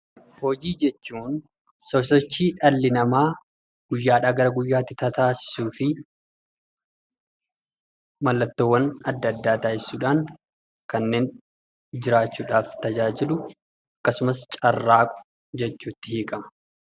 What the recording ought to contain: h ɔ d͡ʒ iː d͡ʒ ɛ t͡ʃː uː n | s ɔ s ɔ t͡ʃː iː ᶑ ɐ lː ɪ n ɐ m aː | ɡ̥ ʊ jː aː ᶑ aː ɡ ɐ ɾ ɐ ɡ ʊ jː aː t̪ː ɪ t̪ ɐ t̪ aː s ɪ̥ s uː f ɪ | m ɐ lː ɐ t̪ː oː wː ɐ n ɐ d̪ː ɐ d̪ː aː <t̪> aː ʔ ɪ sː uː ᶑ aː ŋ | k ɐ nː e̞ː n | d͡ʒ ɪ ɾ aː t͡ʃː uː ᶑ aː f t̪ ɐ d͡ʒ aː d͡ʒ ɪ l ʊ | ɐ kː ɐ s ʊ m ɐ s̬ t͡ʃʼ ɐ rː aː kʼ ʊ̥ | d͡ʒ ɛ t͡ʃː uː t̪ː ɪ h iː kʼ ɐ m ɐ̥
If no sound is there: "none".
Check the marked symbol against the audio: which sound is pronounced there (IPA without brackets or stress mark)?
t̪